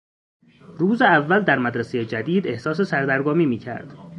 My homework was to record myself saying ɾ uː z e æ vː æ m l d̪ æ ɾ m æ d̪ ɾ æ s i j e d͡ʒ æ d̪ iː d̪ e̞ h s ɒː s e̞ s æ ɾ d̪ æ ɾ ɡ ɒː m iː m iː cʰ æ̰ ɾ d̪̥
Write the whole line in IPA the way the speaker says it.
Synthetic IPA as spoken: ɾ uː z e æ vː æ l d̪ æ ɾ m æ d̪ ɾ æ s e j e d͡ʒ æ d̪ iː d̪ e̞ h s ɒː s e̞ s æ ɾ d̪ æ ɾ ɡ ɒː m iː m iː cʰ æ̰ ɾ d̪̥